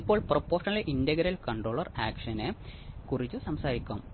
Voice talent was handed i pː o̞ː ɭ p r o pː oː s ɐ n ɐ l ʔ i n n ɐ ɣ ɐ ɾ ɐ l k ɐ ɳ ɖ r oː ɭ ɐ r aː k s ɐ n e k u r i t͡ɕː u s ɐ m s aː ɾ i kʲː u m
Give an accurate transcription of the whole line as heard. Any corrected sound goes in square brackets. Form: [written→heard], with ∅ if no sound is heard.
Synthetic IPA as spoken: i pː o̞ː ɭ p r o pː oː [s→ʂ] ɐ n ɐ l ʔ i n [n→d] ɐ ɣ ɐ ɾ ɐ l k ɐ ɳ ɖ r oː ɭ ɐ r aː k [s→ʂ] ɐ n e k u r i t͡ɕː u s ɐ m s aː ɾ i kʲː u m